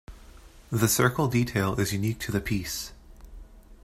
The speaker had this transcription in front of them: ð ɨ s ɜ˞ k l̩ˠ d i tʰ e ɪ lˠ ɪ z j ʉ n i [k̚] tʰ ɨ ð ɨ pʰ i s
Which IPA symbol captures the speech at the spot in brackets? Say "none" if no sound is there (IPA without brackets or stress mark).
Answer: k̚